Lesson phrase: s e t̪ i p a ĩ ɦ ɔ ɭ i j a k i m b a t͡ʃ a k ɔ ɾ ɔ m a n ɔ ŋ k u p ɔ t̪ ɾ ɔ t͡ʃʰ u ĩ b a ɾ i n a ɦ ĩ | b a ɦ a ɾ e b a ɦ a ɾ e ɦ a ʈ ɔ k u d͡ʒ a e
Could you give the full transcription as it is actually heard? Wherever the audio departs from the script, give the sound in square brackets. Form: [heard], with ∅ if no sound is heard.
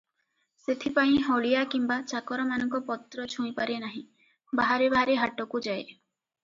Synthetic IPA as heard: s e [t̪ʰ] i p a ĩ ɦ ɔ ɭ i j a k i m b a t͡ʃ a k ɔ ɾ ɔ m a n ɔ ŋ k [ɔ] p ɔ t̪ ɾ ɔ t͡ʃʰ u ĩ [p] a ɾ [e] n a ɦ ĩ | b a ɦ a ɾ e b a ɦ a ɾ e ɦ a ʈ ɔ k u d͡ʒ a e